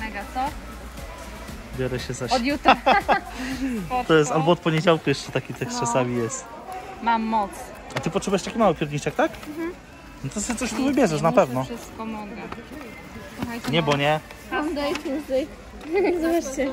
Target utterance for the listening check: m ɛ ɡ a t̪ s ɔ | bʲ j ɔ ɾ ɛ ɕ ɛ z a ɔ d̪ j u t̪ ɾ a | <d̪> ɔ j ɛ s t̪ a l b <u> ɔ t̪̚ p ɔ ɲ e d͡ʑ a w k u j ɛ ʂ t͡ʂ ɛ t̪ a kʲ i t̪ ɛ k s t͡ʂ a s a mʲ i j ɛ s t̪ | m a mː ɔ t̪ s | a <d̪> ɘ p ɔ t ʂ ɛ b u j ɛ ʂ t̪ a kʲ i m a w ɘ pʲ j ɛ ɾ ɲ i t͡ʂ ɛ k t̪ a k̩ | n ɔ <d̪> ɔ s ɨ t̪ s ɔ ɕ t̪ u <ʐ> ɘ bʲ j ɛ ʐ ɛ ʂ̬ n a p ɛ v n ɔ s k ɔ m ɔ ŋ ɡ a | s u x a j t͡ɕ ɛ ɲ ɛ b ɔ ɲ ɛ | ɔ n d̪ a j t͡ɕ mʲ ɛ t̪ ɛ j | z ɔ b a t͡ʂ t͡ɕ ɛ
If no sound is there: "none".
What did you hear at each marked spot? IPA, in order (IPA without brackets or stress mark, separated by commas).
t̪, ɔ, t̪, t̪, v